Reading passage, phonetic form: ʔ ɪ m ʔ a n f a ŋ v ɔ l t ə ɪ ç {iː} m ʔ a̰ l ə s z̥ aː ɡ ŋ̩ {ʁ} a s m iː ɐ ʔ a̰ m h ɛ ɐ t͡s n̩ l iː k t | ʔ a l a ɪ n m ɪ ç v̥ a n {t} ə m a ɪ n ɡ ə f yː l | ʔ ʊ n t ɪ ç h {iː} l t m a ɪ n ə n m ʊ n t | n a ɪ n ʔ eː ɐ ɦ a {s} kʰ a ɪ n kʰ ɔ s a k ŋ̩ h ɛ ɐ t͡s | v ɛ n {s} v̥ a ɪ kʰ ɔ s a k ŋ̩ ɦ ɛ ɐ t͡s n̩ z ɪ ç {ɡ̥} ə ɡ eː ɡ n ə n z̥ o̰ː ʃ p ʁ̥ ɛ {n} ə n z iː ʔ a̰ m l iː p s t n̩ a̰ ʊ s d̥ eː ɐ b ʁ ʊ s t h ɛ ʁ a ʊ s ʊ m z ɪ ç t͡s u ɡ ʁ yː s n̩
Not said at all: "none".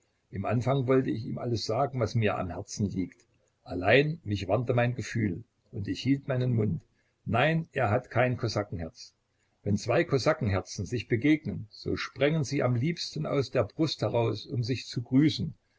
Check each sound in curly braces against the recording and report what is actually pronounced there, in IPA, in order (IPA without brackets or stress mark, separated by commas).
iː, v, t, iː, t, t͡s, b̥, ŋ